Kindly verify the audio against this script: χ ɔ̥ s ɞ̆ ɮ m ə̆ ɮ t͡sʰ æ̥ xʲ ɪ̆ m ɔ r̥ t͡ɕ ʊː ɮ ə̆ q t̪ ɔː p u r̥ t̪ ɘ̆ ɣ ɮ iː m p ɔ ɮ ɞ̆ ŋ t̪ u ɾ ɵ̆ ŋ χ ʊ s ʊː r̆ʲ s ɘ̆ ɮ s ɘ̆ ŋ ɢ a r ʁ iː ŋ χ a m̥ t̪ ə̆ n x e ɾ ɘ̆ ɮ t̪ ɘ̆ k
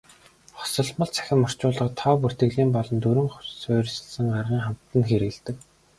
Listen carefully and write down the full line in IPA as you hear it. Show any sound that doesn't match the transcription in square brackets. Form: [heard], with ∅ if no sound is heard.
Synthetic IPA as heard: χ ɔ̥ s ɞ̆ ɮ m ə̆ ɮ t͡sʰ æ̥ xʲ ɪ̆ m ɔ r̥ t͡ɕ ʊː ɮ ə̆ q [t̪ʰ] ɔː p u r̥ t̪ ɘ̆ ɣ ɮ iː m p ɔ ɮ ɞ̆ [n] t̪ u ɾ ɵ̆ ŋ χ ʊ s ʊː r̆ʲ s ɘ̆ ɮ s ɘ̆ ŋ ɢ a r ʁ iː ŋ χ a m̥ t̪ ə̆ n x e ɾ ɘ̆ ɮ t̪ ɘ̆ k